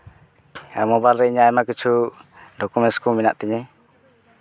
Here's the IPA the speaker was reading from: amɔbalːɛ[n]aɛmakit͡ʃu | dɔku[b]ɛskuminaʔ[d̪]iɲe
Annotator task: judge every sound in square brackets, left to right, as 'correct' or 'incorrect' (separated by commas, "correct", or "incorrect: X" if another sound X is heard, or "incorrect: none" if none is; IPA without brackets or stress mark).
incorrect: ɲ, incorrect: m, incorrect: t̪